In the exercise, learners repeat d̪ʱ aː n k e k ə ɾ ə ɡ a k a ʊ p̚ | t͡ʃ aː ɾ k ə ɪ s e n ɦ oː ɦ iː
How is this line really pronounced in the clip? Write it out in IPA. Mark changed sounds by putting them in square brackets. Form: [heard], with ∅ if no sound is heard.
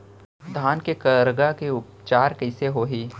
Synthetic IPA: d̪ʱ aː n k e k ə ɾ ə ɡ a k [e] ʊ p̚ | t͡ʃ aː ɾ k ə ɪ s e [∅] ɦ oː ɦ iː